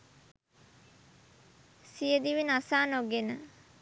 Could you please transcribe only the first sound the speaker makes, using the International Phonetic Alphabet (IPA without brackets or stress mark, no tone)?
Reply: s